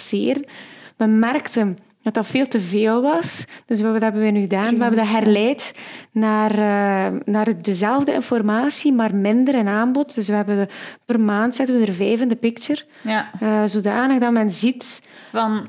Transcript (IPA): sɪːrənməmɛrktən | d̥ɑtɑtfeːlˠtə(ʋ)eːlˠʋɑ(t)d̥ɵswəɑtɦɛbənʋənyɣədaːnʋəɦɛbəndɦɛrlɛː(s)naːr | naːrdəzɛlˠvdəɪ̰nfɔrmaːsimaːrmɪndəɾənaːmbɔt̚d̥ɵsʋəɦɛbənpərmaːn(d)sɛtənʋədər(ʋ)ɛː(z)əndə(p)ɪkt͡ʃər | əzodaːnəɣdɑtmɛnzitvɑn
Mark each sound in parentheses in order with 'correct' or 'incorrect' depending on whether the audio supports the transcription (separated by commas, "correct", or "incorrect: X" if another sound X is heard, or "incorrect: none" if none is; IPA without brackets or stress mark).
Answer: incorrect: v, incorrect: s, incorrect: t, incorrect: t, incorrect: v, incorrect: v, correct